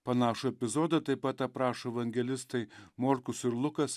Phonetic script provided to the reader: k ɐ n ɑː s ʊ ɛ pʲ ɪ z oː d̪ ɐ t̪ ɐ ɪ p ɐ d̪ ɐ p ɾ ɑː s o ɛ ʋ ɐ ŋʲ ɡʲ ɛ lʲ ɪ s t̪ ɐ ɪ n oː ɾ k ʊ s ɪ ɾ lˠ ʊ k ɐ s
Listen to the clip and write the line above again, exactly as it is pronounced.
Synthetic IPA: p ɐ n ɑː ʃ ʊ ɛ pʲ ɪ z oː d̪ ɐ t̪ ɐ ɪ p ɐ t̪ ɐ p ɾ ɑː ʃ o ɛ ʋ ɐ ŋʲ ɡʲ ɛ lʲ ɪ s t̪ ɐ ɪ m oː ɾ k ʊ s ɪ ɾ lˠ ʊ k ɐ s